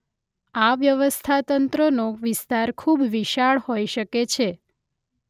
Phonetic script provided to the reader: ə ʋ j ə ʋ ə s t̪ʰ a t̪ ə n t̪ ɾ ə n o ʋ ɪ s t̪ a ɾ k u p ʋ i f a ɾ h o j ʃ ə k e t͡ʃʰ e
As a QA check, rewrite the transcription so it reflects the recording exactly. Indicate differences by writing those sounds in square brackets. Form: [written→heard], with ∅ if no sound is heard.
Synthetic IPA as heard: [ə→a] ʋ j ə ʋ ə s t̪ʰ a t̪ ə n t̪ ɾ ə n o ʋ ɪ s t̪ a ɾ [k→kʰ] u [p→b] ʋ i [f→ʃ] a [ɾ→ɭ] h o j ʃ ə k e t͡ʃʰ e